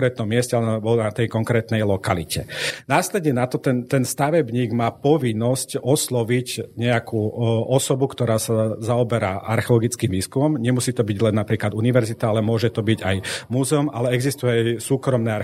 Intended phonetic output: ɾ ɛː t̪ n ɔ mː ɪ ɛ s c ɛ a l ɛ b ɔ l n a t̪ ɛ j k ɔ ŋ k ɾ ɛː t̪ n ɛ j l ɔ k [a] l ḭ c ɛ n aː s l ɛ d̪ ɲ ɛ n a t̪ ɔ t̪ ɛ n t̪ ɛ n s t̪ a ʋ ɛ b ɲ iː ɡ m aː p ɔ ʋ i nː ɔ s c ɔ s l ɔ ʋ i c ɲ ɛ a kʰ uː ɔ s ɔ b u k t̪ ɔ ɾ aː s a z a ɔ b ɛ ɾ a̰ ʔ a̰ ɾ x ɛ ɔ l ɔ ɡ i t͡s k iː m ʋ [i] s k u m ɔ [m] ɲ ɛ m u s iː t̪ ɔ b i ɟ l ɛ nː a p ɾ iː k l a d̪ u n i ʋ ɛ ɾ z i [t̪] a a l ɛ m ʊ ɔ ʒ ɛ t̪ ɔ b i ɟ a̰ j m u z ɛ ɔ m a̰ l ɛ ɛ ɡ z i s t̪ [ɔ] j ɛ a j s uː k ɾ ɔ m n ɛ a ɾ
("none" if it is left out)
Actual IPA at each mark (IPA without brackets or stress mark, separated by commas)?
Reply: a, iː, m, t̪, u